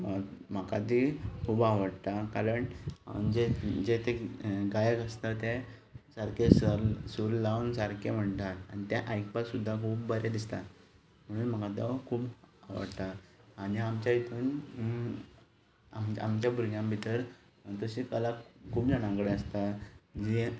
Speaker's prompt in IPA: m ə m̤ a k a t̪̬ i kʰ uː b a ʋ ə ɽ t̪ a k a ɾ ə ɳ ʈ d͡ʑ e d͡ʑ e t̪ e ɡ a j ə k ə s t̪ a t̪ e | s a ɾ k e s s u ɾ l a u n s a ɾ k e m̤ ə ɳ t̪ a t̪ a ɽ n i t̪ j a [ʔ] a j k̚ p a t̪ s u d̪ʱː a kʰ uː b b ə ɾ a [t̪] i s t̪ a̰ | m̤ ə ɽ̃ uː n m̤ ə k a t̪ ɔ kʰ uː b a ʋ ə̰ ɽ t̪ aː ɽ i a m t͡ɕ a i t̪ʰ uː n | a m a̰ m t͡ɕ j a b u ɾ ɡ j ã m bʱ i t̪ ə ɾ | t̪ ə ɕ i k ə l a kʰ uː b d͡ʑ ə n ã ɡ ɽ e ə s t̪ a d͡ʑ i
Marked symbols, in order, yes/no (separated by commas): yes, no